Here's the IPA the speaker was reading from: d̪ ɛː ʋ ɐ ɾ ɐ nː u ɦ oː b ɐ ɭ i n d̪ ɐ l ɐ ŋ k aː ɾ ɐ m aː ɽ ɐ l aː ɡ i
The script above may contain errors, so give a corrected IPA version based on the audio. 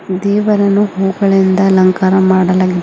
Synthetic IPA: d̪ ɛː ʋ ɐ ɾ ɐ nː u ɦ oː ɡ ɐ ɭ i n d̪ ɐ l ɐ ŋ k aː ɾ ɐ m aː ɽ ɐ l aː ɡ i